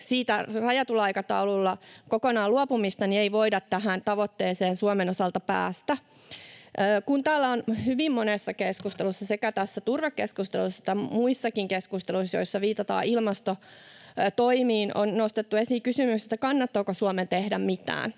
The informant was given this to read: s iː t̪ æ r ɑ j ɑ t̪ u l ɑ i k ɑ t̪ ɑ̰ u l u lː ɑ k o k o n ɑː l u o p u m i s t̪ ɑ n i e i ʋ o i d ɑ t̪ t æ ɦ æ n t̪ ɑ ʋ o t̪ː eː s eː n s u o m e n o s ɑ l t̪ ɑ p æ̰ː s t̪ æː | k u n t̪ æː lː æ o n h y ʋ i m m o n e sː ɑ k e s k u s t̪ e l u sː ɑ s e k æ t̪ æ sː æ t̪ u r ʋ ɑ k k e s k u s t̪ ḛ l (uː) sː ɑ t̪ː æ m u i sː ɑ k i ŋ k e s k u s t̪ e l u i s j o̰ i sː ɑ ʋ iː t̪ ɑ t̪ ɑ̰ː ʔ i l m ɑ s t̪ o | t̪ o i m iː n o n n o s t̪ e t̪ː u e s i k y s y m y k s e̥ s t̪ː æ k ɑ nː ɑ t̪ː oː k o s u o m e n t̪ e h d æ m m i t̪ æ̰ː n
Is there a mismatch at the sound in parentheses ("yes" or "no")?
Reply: yes